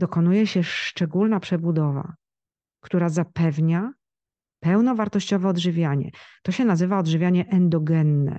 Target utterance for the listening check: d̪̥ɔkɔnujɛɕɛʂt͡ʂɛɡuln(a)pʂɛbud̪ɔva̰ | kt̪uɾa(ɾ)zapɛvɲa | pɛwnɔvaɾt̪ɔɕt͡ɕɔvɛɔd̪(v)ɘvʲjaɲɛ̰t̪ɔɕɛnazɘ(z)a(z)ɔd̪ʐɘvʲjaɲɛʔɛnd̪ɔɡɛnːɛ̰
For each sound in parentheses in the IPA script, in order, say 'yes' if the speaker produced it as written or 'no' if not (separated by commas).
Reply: yes, no, no, no, no